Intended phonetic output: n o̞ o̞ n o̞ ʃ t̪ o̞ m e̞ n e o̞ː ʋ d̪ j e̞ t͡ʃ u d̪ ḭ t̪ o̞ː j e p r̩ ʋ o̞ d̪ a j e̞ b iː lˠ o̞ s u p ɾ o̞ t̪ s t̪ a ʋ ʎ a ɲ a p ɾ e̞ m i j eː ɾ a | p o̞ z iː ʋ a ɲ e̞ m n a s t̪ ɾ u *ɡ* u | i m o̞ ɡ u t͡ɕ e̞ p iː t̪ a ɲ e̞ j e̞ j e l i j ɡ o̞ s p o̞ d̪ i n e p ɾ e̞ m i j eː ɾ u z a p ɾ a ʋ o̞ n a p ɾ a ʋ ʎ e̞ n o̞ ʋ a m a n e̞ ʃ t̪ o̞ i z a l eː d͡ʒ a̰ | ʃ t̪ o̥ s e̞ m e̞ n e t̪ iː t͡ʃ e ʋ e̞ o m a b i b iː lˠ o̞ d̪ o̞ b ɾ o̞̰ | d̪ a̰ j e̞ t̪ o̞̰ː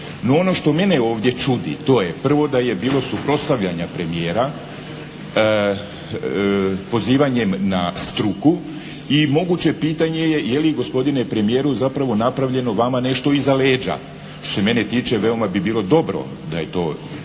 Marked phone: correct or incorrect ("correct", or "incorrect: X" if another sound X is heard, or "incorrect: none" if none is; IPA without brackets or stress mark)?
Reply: incorrect: k